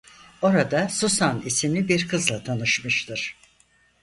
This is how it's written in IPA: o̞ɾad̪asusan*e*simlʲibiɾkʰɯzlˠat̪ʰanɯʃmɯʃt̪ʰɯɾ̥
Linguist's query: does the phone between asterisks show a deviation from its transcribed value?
yes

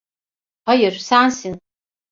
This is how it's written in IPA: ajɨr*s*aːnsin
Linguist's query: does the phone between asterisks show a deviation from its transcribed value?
no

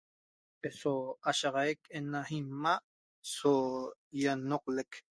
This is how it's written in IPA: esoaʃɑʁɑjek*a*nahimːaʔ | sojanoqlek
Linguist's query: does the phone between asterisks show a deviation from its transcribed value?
yes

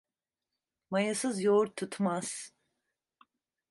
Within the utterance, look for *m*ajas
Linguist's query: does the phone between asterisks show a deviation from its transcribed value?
no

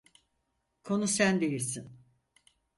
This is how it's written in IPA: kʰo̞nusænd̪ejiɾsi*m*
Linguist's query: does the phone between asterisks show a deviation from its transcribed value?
yes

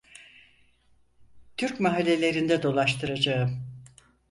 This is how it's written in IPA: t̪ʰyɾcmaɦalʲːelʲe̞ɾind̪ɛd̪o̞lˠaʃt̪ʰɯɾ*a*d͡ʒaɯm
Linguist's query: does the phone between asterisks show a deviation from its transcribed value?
no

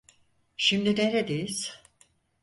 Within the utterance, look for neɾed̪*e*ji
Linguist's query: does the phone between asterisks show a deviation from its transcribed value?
no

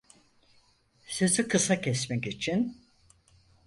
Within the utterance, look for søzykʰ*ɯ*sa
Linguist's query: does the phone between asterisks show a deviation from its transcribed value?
no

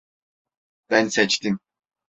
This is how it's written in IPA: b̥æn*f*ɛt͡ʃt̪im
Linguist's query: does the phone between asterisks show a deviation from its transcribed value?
yes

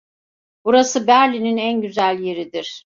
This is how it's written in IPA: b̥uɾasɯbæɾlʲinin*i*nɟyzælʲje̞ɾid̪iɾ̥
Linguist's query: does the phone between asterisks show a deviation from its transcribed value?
yes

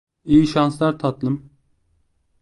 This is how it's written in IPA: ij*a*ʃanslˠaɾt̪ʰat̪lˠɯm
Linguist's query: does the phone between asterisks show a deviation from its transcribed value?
yes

